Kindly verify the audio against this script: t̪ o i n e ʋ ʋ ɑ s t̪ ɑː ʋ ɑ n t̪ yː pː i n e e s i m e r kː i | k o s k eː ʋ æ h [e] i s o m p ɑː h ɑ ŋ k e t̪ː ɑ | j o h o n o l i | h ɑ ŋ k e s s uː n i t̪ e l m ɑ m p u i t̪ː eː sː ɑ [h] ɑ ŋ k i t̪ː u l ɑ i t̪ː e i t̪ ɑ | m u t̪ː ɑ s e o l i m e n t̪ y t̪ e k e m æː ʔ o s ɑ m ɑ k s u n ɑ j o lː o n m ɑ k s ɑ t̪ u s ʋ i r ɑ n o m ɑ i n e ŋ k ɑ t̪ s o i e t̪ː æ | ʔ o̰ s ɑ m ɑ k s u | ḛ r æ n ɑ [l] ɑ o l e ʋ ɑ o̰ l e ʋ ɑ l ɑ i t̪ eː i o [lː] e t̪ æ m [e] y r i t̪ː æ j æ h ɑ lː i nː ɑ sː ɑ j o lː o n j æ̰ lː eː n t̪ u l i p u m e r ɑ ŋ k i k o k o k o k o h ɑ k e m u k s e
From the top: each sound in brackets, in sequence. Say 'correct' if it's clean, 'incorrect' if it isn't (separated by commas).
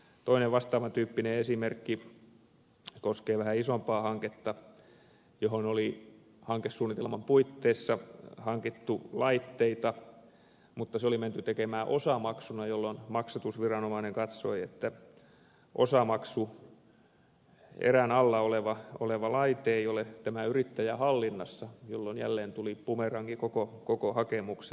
incorrect, correct, incorrect, incorrect, incorrect